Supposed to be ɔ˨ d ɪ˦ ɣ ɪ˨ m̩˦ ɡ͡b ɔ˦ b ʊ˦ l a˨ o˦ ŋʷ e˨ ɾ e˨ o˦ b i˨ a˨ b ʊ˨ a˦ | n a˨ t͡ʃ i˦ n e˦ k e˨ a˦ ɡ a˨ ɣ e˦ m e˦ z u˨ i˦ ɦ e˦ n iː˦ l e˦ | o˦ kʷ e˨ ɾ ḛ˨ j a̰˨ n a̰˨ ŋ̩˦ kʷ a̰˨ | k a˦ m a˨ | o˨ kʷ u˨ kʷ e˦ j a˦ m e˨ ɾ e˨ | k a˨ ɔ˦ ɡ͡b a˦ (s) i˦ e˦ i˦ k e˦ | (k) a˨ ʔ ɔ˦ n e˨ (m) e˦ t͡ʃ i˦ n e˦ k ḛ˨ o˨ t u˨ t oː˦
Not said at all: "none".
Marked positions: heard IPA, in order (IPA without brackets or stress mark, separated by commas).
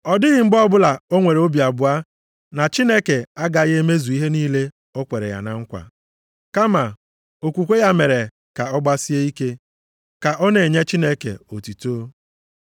s, k, ɲ